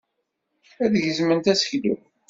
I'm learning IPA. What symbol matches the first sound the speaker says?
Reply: æ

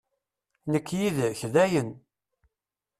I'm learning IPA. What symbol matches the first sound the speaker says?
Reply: n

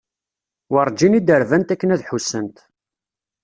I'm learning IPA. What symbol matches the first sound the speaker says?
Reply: w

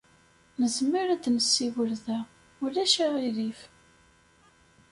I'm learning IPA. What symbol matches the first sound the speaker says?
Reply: n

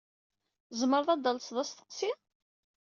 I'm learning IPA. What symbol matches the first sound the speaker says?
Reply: z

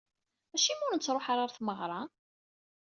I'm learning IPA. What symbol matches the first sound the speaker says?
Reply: æ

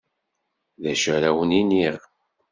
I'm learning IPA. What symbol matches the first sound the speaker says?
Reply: ð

